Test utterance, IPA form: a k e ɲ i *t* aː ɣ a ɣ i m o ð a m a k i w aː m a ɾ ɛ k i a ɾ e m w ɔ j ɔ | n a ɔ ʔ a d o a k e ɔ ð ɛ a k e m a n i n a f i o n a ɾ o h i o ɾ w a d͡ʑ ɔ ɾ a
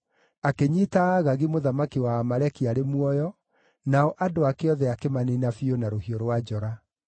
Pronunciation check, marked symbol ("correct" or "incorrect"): correct